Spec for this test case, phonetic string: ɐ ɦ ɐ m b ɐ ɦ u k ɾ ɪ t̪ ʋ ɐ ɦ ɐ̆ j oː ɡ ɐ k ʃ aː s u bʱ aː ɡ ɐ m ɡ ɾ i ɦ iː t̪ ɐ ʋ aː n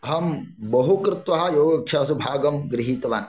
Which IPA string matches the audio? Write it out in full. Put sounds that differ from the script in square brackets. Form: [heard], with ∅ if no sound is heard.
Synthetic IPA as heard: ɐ ɦ ɐ m b ɐ ɦ u k ɾ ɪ t̪ ʋ ɐ ɦ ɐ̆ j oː ɡ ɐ k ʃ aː s u bʱ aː ɡ ɐ m ɡ ɾ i ɦ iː t̪ ɐ ʋ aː n